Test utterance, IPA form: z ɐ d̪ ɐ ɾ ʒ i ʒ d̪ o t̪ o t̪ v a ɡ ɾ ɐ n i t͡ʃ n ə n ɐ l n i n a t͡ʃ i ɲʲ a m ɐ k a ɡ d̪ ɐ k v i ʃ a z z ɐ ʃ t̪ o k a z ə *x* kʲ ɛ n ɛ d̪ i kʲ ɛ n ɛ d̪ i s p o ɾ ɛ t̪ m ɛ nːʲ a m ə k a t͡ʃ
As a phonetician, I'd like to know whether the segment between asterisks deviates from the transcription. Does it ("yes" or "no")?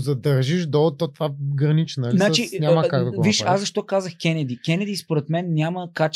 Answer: no